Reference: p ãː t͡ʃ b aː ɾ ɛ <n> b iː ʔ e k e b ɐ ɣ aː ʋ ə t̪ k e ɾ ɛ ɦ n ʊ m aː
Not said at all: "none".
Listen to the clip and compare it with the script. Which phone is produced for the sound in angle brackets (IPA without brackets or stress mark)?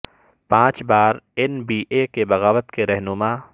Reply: n